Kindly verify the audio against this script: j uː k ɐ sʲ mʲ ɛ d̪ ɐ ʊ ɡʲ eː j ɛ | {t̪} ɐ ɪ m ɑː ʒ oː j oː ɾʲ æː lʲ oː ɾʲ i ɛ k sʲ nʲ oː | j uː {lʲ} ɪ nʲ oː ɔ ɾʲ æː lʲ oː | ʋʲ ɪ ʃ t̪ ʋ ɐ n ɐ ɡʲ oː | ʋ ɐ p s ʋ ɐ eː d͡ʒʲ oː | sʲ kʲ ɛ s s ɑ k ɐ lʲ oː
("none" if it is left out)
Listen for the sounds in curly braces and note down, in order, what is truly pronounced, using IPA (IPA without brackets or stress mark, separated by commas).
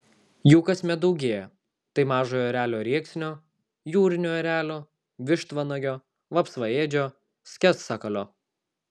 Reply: t̪, ɾʲ